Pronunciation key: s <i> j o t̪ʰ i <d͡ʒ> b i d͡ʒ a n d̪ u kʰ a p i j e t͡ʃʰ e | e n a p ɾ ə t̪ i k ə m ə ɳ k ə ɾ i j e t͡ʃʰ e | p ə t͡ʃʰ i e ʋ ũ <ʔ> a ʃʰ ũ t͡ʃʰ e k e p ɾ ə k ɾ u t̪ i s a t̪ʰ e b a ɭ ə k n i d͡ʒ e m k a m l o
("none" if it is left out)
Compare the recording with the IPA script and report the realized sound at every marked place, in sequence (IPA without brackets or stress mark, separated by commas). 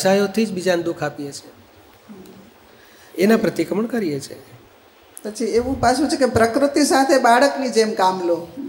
a, d͡ʒ, p